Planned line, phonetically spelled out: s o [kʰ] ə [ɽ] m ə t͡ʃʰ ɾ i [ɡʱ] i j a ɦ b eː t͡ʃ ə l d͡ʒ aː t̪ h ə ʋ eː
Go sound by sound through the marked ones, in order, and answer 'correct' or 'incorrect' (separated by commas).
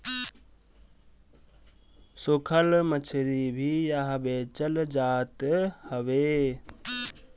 correct, incorrect, incorrect